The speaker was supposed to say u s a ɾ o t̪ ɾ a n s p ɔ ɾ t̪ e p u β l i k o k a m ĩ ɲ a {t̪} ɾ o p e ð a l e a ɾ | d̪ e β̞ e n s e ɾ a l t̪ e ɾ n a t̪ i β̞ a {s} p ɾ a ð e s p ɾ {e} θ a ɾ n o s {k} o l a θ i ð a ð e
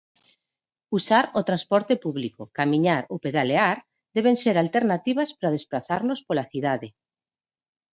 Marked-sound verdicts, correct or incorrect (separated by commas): incorrect, correct, incorrect, incorrect